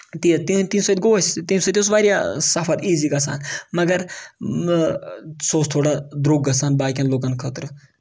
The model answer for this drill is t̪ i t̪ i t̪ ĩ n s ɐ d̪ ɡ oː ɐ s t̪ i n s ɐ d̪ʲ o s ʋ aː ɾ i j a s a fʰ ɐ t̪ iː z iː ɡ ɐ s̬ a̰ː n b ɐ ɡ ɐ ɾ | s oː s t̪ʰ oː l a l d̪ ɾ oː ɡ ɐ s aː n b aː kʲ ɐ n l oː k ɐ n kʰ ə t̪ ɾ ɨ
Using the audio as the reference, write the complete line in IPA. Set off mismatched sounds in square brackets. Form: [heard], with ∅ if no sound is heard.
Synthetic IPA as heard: t̪ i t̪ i t̪ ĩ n s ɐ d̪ ɡ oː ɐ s t̪ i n s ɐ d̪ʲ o s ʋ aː ɾ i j a s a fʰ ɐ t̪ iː z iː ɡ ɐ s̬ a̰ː n [m] ɐ ɡ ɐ ɾ | s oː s t̪ʰ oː [ɽ] a [∅] d̪ ɾ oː ɡ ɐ s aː n b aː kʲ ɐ n l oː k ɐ n kʰ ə t̪ ɾ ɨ